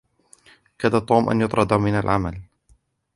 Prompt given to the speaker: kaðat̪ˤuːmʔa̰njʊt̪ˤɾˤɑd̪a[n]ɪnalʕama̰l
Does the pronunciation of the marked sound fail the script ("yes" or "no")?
yes